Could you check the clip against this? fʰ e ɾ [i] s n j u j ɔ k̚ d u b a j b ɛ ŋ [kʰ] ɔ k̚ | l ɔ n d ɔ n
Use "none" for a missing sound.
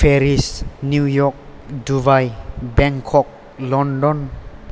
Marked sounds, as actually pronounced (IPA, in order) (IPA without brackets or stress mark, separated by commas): i, kʰ